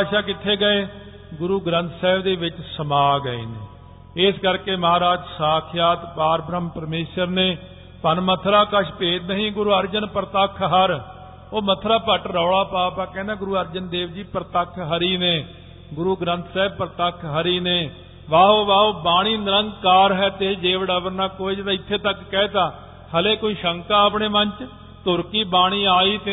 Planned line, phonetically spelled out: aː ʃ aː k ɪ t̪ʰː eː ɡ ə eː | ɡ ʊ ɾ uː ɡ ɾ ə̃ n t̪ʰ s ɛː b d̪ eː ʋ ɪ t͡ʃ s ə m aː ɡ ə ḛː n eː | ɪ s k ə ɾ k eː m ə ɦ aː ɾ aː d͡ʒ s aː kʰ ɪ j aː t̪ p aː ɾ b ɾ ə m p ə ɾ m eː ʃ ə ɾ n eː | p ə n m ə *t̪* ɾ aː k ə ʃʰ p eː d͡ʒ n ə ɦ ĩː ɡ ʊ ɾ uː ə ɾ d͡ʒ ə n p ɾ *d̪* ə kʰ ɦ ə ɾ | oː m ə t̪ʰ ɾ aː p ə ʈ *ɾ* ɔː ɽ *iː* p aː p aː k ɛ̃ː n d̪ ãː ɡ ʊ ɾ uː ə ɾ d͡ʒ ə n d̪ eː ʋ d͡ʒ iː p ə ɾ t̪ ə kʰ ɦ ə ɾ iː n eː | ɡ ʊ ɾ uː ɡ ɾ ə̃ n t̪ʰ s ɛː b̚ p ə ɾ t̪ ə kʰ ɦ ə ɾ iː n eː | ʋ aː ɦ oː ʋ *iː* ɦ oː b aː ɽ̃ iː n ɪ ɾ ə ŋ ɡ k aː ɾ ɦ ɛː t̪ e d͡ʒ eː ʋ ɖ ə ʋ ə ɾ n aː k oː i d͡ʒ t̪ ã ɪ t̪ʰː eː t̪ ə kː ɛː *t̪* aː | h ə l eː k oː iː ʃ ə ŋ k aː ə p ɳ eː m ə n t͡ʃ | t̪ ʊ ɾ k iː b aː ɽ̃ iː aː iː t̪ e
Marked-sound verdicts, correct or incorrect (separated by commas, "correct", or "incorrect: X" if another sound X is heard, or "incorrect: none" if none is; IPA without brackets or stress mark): incorrect: t̪ʰ, incorrect: t̪, correct, incorrect: aː, incorrect: aː, correct